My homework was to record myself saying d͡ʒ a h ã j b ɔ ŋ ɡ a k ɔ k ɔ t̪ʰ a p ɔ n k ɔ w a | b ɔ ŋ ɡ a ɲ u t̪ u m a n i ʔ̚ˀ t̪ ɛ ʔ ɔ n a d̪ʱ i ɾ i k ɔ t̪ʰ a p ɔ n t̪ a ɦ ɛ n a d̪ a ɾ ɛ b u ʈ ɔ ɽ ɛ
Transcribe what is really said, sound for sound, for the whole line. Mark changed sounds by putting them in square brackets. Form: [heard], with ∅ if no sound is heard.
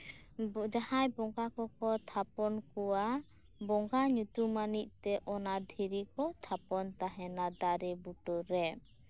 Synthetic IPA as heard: d͡ʒ a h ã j b ɔ ŋ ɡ a k ɔ k ɔ t̪ʰ a p ɔ n k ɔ w a | b ɔ ŋ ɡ a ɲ u t̪ u m a n i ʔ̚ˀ t̪ ɛ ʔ ɔ n a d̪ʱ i ɾ i k ɔ t̪ʰ a p ɔ n t̪ a ɦ ɛ n a d̪ a ɾ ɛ b u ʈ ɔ [ɾ] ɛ